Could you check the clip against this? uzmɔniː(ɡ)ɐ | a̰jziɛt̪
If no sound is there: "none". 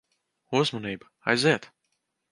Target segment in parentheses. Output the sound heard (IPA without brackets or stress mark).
b